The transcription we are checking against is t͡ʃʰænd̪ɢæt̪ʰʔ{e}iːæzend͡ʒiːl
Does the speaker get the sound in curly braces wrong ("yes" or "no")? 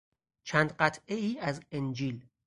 no